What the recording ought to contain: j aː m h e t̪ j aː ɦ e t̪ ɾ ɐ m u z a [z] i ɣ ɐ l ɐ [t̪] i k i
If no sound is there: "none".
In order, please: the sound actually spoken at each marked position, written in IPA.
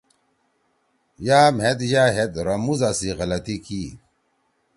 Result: s, t̪

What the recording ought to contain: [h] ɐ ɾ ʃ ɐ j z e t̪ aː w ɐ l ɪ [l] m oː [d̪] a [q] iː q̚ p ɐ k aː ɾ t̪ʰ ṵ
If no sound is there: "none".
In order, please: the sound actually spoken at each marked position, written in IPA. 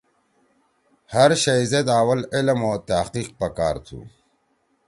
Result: h, l, t̪, q

